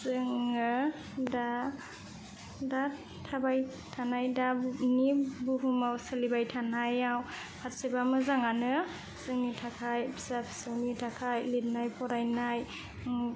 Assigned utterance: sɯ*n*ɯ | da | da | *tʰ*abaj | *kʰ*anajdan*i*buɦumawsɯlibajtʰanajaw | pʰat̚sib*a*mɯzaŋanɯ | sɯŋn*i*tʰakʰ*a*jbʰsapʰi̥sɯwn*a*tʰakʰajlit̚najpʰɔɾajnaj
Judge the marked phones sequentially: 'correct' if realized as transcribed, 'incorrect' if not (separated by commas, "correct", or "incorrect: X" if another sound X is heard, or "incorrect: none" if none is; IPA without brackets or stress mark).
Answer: incorrect: ŋ, correct, incorrect: tʰ, correct, correct, correct, correct, incorrect: i